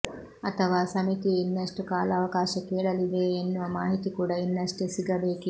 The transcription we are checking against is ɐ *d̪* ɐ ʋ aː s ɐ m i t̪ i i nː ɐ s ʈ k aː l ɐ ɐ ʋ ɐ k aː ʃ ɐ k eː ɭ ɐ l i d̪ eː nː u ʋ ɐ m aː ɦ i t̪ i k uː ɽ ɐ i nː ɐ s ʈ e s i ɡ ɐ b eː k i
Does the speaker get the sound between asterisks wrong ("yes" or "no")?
yes